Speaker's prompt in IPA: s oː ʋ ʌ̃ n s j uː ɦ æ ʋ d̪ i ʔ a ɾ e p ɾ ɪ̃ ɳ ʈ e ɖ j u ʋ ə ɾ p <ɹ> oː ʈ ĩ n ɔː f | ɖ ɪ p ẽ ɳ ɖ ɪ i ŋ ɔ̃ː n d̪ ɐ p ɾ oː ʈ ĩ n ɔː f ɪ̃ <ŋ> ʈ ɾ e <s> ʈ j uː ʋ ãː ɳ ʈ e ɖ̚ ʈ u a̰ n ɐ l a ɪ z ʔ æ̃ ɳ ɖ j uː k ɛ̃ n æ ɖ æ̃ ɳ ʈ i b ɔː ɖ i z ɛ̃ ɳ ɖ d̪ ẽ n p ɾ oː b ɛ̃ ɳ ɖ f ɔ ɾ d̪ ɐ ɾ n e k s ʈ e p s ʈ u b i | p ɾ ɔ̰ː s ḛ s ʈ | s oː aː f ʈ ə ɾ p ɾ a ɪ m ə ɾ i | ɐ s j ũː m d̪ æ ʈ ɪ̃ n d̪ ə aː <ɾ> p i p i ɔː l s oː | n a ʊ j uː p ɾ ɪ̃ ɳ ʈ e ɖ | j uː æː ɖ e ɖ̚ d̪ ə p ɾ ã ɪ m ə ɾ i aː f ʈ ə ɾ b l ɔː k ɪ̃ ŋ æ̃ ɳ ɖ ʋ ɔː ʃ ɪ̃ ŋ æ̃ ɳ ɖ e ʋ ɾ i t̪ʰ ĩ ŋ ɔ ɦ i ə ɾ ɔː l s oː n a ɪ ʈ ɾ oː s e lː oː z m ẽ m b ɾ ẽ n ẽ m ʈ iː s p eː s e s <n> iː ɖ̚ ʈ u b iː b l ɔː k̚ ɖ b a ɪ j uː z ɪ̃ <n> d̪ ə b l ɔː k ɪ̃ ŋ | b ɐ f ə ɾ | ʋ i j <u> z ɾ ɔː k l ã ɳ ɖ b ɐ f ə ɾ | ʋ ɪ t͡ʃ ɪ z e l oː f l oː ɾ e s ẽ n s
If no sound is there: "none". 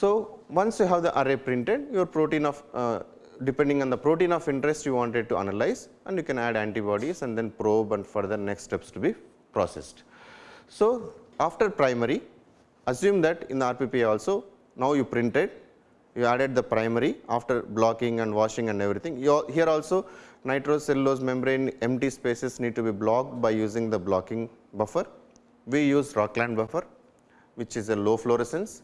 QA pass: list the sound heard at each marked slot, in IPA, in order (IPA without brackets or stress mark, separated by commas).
ɾ, ɳ, s, ɾ, n, ŋ, uː